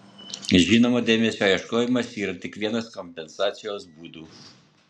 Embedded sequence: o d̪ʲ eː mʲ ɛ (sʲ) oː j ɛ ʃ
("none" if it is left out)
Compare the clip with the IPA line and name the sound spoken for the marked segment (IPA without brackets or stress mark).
sʲ